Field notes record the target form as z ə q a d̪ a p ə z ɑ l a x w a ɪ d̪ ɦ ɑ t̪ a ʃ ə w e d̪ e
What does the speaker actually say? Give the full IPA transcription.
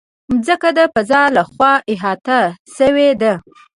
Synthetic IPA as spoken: z ə k a d̪ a p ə z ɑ l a x w ɑ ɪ ɦ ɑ t̪ a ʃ ə w e d̪ a